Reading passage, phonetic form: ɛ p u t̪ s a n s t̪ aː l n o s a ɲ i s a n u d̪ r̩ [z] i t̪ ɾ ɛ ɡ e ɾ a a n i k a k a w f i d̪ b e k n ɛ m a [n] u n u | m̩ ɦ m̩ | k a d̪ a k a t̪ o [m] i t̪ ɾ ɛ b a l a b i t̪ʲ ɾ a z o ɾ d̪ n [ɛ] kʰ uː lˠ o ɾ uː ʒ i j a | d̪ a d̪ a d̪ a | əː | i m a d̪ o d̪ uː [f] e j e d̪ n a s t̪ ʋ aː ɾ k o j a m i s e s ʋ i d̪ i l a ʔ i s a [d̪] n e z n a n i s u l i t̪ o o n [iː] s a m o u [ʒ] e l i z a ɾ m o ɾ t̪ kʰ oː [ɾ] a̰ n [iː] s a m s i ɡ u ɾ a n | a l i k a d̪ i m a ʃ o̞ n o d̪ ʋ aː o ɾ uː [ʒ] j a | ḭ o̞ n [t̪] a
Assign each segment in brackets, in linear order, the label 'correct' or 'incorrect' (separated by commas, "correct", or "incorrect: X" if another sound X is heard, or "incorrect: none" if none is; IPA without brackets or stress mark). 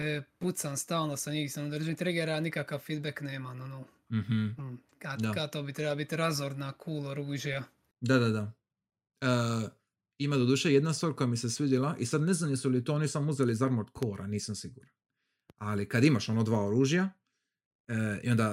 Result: incorrect: ʒ, correct, incorrect: b, incorrect: a, incorrect: ʃ, correct, incorrect: i, incorrect: z, correct, correct, correct, incorrect: d̪